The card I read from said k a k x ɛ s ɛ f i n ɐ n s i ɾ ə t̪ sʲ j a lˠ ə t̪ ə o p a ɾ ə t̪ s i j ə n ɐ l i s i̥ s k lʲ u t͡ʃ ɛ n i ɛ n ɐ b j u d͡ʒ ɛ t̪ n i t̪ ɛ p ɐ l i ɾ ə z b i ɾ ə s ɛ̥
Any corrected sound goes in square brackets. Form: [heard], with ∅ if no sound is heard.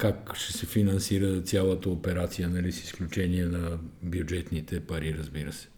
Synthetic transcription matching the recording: k a k [ʃ] ɛ s ɛ f i n ɐ n s i ɾ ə t̪ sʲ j a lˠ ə t̪ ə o p [ɛ] ɾ [a] t̪ s i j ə n ɐ l i s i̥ s k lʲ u t͡ʃ ɛ n i ɛ n ɐ b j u d͡ʒ ɛ t̪ n i t̪ ɛ p ɐ [ɾ] i ɾ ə z b i ɾ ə s ɛ̥